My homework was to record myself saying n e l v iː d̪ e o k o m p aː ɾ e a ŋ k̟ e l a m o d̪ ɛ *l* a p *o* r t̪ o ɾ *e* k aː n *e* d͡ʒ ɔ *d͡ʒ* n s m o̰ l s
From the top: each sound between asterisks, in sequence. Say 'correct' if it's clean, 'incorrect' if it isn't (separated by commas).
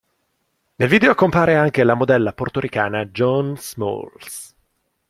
incorrect, correct, incorrect, incorrect, incorrect